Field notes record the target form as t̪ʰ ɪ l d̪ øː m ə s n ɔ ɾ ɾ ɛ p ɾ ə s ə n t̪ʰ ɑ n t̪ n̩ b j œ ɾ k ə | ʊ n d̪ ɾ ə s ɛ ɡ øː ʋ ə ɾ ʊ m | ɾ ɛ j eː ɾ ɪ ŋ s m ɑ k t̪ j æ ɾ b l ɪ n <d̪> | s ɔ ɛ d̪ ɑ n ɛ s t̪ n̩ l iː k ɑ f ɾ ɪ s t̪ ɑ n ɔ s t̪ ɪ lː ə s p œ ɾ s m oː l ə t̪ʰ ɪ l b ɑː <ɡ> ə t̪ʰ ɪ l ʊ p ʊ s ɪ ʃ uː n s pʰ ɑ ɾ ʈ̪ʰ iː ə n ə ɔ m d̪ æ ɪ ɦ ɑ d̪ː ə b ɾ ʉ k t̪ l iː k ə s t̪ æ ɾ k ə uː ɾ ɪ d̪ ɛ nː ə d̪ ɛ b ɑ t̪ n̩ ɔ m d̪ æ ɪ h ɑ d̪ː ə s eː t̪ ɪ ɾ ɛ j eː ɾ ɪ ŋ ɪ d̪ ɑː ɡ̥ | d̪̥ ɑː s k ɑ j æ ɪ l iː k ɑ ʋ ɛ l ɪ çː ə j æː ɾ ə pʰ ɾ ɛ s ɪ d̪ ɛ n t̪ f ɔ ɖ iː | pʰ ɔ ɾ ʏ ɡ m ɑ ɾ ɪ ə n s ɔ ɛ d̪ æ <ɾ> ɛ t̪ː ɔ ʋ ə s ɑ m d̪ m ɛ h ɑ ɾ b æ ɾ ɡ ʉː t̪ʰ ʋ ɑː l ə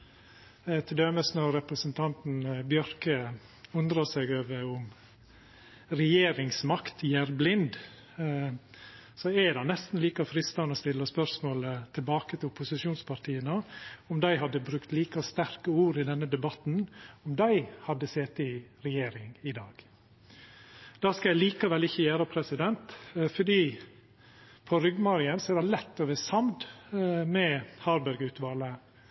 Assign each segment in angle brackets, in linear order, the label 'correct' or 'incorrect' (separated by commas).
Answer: correct, incorrect, incorrect